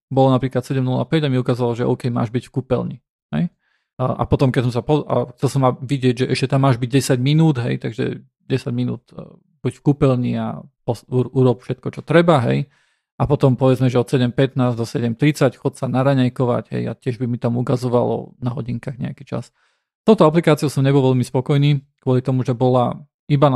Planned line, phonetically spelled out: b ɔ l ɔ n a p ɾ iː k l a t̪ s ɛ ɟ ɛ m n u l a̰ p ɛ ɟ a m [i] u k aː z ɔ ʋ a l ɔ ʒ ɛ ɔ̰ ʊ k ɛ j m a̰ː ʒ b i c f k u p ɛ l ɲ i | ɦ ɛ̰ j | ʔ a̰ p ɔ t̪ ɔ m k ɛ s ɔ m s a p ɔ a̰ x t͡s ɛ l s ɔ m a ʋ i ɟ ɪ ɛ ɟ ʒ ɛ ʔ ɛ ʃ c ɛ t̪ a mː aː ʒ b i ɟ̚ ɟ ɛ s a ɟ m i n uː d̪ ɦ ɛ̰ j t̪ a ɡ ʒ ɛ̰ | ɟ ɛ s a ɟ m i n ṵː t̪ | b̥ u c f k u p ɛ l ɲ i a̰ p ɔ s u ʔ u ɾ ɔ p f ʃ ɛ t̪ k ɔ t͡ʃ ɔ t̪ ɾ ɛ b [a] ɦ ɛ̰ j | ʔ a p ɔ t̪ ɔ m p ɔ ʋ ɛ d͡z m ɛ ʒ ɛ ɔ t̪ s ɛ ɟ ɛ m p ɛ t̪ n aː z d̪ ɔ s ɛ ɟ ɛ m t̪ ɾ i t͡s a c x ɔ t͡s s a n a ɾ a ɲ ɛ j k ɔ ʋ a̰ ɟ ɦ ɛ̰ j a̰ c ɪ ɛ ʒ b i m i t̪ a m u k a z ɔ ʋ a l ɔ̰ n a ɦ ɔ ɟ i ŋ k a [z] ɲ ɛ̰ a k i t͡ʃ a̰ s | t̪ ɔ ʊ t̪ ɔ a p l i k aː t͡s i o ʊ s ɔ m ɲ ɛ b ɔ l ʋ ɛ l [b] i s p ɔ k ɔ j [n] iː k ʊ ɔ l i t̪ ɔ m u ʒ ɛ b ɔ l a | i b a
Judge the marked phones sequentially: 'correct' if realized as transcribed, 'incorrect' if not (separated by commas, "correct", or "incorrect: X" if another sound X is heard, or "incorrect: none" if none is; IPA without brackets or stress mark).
correct, correct, incorrect: ɣ, incorrect: m, correct